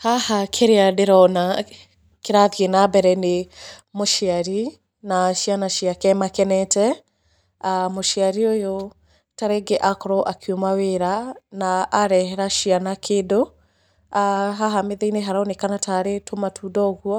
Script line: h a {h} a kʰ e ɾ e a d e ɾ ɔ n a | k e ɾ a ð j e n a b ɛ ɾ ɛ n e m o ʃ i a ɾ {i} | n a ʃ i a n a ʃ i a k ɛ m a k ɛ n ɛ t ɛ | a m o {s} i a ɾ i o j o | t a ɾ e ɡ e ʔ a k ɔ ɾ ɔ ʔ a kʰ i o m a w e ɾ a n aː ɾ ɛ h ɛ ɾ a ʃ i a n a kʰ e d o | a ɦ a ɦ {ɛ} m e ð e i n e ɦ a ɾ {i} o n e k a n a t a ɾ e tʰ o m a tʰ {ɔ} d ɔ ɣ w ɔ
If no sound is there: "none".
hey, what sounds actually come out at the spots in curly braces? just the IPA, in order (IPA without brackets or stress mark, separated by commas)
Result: h, i, ʃ, a, a, u